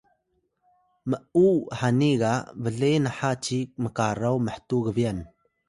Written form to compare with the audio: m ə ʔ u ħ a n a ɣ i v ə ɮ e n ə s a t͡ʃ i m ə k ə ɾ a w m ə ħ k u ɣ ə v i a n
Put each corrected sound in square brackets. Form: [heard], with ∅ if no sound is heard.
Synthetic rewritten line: m ə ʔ u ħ a n [i] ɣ [a] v ə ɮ e n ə [ħ] a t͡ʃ i m ə k [a] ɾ a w m ə ħ [t] u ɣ ə v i a n